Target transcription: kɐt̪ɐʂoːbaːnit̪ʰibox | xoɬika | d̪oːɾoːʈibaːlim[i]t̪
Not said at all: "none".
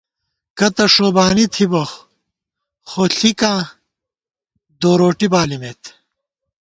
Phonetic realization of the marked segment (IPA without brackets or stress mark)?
e